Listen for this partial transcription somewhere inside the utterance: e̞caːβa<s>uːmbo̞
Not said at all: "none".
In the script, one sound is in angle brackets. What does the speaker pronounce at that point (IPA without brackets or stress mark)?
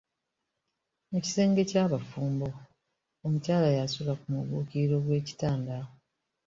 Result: f